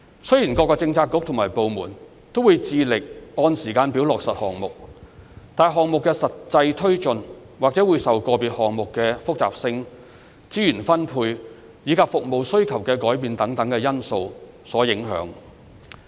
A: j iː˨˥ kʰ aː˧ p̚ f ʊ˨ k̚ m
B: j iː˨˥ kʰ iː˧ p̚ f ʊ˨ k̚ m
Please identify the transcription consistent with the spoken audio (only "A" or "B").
A